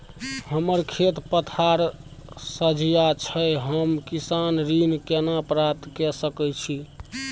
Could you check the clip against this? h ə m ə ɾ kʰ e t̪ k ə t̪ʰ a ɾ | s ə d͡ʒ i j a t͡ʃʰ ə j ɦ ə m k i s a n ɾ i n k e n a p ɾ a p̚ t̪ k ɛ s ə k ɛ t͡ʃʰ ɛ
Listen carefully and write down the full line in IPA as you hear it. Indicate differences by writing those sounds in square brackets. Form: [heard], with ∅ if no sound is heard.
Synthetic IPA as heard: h ə m ə ɾ kʰ e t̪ [p] ə t̪ʰ a ɾ | s ə d͡ʒ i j a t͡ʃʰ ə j ɦ ə m k i s a n ɾ i n k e n a p ɾ a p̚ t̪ k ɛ s ə k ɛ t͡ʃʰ [i]